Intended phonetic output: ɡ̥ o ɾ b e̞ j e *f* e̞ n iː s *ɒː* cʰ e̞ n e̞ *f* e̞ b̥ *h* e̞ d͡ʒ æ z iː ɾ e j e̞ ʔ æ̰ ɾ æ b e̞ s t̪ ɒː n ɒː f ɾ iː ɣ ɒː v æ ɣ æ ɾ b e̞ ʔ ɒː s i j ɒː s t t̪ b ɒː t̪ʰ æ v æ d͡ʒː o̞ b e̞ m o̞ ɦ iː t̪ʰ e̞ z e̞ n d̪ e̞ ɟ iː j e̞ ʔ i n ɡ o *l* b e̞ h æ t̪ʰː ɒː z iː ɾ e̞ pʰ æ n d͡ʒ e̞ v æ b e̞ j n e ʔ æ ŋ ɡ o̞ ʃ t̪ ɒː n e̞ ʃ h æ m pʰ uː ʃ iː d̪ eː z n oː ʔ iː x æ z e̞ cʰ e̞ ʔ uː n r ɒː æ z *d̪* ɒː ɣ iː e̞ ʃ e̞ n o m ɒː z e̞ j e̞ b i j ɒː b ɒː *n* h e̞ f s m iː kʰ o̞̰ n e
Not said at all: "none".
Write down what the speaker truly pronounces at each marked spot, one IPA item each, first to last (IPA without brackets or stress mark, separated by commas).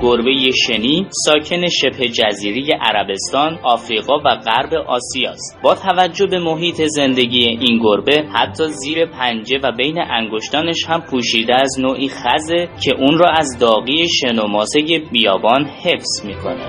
ʃ, ɒː, ʃ, h, ɾ, d̪, n